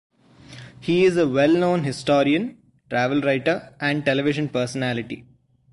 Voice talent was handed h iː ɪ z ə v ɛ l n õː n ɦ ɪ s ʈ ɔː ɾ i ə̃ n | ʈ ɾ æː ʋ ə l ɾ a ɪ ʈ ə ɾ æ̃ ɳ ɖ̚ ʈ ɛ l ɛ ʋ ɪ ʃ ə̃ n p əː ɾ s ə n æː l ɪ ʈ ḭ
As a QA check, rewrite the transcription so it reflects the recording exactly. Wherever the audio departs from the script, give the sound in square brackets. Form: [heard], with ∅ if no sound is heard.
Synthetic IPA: h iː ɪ z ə [ʋ] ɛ l n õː n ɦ ɪ s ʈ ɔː ɾ i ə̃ n | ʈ ɾ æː ʋ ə l ɾ a ɪ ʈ ə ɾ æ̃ ɳ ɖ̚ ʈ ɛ l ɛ ʋ ɪ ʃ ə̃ n p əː ɾ s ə n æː l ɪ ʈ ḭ

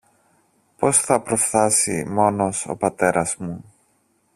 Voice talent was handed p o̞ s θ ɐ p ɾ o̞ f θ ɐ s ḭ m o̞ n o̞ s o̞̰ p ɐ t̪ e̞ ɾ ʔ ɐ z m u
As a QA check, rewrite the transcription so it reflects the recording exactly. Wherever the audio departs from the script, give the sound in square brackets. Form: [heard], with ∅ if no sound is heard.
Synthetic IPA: p o̞ s θ ɐ p ɾ o̞ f θ ɐ s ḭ m o̞ n o̞ s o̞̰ p ɐ t̪ e̞ ɾ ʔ ɐ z m u

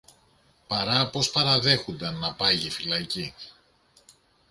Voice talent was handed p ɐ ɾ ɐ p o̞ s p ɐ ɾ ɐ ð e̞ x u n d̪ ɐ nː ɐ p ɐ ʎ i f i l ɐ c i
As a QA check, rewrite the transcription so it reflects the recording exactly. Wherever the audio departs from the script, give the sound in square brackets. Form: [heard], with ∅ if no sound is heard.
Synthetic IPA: p ɐ ɾ ɐ p o̞ s p ɐ ɾ ɐ ð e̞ x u n d̪ ɐ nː ɐ p ɐ [ʝ] i f i l ɐ c i

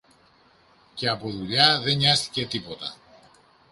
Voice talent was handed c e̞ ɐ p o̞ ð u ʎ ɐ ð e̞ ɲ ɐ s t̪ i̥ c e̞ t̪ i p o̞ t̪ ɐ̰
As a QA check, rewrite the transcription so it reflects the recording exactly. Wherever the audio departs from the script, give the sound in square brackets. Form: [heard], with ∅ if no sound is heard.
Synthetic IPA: c e̞ ɐ p o̞ ð u ʎ ɐ ð e̞ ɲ ɐ s t̪ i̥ c e̞ t̪ i p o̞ t̪ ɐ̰

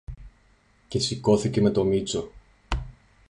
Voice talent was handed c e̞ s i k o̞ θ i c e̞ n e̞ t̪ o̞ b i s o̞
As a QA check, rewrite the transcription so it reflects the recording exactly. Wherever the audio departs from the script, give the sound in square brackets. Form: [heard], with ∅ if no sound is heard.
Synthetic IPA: c e̞ s i k o̞ θ i c e̞ [m] e̞ t̪ o̞ [m] i [t͡s] o̞

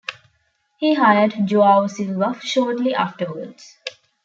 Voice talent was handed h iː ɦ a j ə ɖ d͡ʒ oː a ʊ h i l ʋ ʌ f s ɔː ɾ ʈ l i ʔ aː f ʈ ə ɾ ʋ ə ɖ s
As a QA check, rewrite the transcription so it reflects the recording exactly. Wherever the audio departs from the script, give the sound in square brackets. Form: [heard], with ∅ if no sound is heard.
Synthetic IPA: h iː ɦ a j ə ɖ d͡ʒ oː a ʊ [s] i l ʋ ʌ f [ʃ] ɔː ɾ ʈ l i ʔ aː f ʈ ə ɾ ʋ ə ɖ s

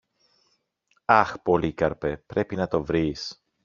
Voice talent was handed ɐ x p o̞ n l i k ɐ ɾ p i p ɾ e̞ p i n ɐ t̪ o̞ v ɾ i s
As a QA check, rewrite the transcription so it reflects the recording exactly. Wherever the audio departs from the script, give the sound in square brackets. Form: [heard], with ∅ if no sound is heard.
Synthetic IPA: ɐ x p o̞ [∅] l i k ɐ ɾ p [e] p ɾ e̞ p i n ɐ t̪ o̞ v ɾ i s

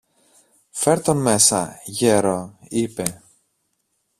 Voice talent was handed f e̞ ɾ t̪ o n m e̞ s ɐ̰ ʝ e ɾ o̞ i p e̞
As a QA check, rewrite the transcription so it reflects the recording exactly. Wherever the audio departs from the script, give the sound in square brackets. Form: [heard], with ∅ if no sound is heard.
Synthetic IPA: f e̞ ɾ t̪ o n m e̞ s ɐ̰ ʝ e ɾ o̞ i p e̞

